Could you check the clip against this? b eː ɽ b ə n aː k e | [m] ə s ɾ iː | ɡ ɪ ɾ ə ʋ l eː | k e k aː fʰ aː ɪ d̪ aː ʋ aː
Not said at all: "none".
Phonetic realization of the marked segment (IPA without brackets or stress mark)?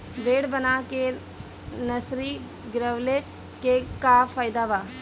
n